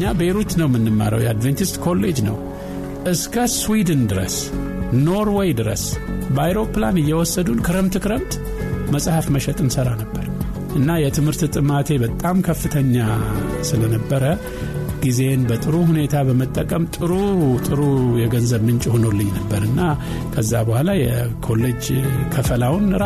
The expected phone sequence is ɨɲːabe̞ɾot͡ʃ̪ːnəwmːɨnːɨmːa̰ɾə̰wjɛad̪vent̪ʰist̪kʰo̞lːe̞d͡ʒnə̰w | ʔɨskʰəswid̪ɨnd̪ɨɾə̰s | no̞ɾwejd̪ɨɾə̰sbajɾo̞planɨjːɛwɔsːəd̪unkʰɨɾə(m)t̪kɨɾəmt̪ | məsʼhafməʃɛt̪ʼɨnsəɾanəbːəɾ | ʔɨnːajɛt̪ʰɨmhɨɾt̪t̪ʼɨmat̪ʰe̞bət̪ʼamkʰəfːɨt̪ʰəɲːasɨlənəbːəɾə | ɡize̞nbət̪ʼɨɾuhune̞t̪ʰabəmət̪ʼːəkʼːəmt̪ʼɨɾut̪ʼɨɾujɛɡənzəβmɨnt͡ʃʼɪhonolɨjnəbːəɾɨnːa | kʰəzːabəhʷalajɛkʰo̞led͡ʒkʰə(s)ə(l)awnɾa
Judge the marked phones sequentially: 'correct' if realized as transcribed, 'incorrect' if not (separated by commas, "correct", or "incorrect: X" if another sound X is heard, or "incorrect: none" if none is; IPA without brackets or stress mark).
correct, incorrect: f, correct